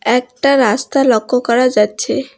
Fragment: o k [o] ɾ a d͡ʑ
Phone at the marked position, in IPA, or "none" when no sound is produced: ɔ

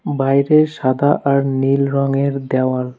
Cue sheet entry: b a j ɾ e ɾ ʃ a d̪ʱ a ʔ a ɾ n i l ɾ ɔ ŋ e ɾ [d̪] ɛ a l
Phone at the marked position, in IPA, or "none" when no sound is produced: d̪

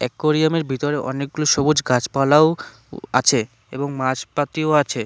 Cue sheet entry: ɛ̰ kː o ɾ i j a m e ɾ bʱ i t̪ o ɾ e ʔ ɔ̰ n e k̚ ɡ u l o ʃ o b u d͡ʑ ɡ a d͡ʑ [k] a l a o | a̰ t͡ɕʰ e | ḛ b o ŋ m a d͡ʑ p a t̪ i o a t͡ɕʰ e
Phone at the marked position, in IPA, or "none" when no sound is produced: p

